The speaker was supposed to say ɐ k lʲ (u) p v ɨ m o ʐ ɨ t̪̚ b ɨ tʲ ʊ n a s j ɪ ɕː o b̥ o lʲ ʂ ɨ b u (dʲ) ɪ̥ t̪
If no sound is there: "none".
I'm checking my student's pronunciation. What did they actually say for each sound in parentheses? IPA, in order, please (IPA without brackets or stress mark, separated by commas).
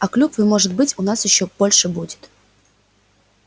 u, dʲ